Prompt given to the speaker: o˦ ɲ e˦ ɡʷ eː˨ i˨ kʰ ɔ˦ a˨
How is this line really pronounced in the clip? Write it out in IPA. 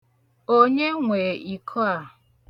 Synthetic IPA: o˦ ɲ e˦ ŋʷ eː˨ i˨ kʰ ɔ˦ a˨